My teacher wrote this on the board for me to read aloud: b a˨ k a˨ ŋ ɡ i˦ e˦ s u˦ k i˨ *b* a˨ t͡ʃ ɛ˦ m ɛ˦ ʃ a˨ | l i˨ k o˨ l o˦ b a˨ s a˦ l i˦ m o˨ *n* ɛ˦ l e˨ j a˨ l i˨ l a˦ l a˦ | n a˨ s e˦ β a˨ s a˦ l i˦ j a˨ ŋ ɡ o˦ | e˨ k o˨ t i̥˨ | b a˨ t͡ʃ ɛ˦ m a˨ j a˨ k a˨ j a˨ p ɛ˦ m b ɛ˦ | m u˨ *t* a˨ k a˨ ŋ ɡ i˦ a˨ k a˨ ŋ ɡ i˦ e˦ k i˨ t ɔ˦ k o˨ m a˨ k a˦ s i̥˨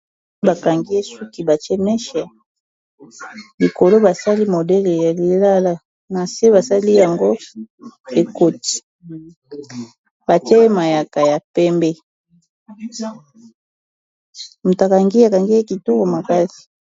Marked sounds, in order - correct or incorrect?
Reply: correct, incorrect, correct

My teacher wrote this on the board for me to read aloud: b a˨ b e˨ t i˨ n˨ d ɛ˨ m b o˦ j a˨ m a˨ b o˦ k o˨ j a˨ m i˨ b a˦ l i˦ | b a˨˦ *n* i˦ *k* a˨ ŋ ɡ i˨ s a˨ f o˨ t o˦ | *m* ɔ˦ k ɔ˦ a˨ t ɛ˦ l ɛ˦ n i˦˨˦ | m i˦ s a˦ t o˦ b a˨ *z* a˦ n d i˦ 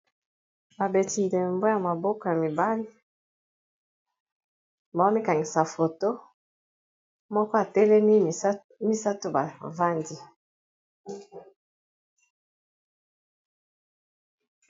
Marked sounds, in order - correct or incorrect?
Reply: incorrect, correct, correct, incorrect

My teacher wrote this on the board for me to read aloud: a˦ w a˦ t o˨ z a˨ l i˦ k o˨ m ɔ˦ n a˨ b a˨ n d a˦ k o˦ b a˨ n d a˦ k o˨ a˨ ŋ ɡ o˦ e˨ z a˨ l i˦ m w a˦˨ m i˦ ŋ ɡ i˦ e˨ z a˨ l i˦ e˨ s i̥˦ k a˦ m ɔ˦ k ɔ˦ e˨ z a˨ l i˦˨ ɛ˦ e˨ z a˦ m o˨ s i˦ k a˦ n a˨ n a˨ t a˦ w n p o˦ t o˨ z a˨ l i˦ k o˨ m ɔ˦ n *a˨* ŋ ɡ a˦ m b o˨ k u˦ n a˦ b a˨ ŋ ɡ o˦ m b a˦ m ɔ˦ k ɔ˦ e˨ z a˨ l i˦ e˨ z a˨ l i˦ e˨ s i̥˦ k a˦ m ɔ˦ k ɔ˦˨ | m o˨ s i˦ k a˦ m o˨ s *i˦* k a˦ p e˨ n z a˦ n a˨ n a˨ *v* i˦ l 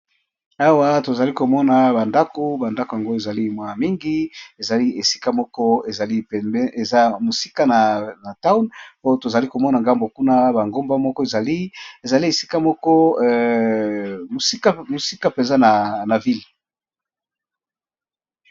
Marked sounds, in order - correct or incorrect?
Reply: correct, correct, correct

